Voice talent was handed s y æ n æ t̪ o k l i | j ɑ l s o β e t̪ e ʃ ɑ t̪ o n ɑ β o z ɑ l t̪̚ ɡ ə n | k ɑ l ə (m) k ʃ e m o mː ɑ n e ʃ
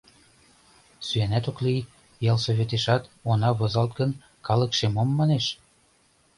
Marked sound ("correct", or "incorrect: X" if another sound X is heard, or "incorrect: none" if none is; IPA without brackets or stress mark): incorrect: none